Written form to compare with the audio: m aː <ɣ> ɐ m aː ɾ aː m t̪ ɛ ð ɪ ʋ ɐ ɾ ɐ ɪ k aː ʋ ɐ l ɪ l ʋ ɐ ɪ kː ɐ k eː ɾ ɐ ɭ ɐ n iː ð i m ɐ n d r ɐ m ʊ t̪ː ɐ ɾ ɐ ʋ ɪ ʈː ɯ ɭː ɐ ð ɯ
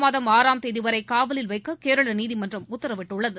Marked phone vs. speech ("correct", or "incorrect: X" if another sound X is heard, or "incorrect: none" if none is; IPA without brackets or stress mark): incorrect: ð